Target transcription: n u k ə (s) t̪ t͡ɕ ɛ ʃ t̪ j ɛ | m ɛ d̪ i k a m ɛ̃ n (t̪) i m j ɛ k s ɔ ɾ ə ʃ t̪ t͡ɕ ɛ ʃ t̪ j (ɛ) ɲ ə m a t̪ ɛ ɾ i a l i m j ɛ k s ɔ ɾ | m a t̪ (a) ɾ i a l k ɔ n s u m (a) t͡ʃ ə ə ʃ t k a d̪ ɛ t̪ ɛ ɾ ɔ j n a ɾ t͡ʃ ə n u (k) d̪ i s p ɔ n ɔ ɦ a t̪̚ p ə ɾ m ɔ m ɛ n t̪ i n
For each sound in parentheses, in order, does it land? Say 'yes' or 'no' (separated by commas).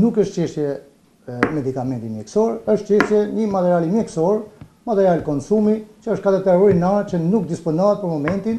no, yes, yes, no, no, yes